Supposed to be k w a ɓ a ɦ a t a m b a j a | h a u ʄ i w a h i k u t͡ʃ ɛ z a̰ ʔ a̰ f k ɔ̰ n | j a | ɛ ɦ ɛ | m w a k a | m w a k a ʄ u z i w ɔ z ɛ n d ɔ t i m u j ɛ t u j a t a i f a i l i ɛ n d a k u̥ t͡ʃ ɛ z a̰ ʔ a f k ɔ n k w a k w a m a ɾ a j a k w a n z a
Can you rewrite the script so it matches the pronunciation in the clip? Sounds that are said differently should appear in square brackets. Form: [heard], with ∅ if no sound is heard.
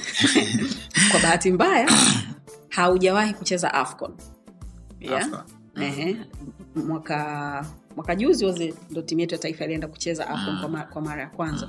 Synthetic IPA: k w a ɓ a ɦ a t [i] m b a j a | h a u ʄ [a] w a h i k u t͡ʃ ɛ z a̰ ʔ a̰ f k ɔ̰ n | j a | ɛ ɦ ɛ | m w a k a | m w a k a ʄ u z i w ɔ z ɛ n d ɔ t i m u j ɛ t u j a t a i f a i l i ɛ n d a k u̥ t͡ʃ ɛ z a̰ ʔ a f k ɔ n k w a k w a m a ɾ a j a k w a n z a